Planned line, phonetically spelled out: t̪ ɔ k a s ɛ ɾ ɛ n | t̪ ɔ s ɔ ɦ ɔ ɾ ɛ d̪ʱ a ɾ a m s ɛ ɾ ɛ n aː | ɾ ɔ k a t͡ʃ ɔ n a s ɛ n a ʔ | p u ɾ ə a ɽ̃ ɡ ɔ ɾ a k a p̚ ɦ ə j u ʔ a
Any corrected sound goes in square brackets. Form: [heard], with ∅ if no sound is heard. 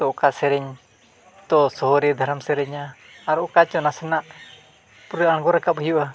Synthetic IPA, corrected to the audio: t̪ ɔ k a s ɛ ɾ ɛ [ɲ] | t̪ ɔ s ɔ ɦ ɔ ɾ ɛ d̪ʱ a ɾ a m s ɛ ɾ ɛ [ɲ] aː | ɾ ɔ k a t͡ʃ ɔ n a s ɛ n a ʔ | p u ɾ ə a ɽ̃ ɡ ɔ ɾ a k a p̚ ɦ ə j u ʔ a